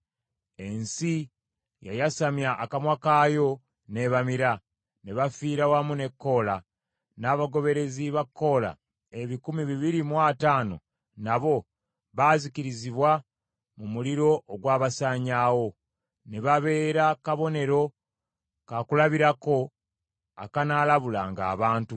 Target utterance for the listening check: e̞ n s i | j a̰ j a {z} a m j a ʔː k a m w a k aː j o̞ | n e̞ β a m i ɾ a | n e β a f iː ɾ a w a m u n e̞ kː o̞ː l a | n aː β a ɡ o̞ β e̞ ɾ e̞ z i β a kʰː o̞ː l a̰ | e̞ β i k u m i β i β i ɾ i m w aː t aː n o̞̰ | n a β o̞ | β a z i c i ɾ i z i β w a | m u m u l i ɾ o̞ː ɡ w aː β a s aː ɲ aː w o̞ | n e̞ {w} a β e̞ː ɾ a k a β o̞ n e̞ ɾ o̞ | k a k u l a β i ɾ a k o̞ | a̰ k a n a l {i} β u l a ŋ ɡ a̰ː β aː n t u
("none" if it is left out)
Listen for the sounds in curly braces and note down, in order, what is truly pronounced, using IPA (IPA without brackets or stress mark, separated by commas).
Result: s, β, a